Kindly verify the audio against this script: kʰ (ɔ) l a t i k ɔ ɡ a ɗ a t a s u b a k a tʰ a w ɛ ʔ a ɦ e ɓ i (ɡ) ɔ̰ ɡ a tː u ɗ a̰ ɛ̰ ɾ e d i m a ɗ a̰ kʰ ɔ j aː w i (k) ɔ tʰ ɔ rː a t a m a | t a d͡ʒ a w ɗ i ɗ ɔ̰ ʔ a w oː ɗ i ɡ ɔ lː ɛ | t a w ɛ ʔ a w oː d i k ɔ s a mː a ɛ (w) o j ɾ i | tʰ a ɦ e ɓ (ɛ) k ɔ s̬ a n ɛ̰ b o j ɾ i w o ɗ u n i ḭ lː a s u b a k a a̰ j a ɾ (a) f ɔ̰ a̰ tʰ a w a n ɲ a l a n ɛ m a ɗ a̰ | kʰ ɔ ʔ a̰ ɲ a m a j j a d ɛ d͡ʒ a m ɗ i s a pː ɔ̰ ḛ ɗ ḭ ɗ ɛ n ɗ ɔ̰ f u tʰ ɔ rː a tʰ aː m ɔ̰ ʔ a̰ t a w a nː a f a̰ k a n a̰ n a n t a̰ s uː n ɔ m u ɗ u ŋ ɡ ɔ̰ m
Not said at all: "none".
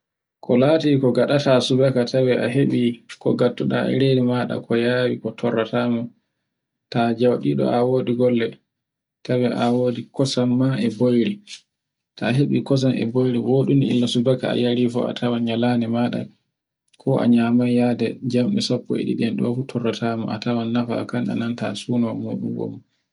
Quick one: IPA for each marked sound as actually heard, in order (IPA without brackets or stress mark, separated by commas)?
ɔ, k, k, b, i, i